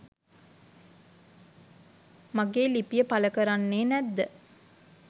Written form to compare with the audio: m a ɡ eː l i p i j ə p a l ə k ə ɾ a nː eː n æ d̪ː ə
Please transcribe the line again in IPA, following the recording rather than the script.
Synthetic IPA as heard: m a ɡ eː l i p i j ə p a l ə k ə ɾ a nː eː n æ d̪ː ə